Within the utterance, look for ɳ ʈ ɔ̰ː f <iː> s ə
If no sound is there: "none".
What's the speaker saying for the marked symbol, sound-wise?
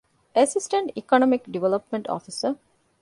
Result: i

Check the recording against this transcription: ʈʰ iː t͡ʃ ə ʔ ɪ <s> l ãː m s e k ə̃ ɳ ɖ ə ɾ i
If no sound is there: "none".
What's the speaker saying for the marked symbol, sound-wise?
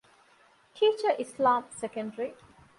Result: s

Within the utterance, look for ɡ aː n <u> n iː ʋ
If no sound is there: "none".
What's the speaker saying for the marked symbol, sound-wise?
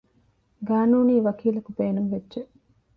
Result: uː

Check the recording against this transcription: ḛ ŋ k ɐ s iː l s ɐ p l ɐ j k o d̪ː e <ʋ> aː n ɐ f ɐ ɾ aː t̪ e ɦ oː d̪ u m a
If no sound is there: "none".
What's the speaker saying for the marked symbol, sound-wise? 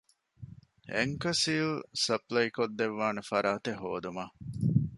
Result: ʋː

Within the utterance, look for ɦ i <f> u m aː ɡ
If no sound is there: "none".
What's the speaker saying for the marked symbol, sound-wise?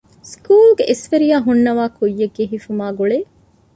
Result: f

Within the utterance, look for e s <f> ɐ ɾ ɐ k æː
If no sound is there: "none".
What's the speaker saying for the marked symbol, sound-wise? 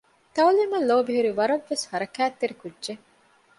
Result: h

